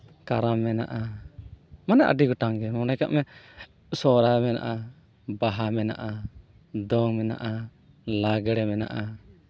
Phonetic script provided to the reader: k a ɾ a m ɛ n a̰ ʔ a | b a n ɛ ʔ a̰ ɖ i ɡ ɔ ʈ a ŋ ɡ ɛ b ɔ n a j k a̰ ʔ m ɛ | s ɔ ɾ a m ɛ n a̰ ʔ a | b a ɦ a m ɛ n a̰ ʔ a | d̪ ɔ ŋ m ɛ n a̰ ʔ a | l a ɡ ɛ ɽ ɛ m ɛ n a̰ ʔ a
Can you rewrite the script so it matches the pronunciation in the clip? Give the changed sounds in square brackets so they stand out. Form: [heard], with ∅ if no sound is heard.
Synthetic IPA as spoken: k a ɾ a m ɛ n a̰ ʔ a | [m] a n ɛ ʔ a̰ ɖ i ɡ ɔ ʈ a ŋ ɡ ɛ [m] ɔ n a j k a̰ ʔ m ɛ | s ɔ ɾ a m ɛ n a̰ ʔ a | b a ɦ a m ɛ n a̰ ʔ a | d̪ ɔ ŋ m ɛ n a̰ ʔ a | l a ɡ ɛ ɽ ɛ m ɛ n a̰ ʔ a